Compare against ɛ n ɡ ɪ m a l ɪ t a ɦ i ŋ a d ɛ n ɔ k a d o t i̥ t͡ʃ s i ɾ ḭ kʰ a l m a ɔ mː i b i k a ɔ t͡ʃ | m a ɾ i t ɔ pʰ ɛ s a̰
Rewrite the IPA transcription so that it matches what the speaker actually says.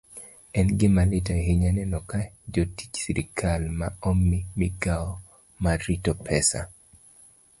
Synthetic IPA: ɛ n ɡ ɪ m a l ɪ t a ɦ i ɲ a n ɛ n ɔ k a d͡ʒ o t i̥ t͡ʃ s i ɾ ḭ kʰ a l m a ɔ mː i m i ɡ a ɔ | m a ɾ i t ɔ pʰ ɛ s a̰